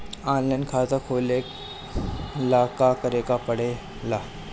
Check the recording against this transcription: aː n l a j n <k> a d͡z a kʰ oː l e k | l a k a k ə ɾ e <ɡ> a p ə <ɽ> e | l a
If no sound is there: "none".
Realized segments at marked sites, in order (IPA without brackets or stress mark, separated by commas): kʰ, k, ɽ